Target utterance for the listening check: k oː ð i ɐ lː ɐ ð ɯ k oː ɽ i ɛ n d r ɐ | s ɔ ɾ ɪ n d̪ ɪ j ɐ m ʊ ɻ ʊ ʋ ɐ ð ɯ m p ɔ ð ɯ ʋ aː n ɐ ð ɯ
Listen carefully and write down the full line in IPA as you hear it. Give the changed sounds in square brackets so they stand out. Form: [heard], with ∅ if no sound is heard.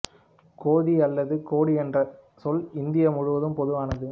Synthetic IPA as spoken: k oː ð i ɐ lː ɐ ð ɯ k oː ɽ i ɛ n d r ɐ | s ɔ [l] ɪ n d̪ ɪ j ɐ m ʊ ɻ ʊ ʋ ɐ ð ɯ m p ɔ ð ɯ ʋ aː n ɐ ð ɯ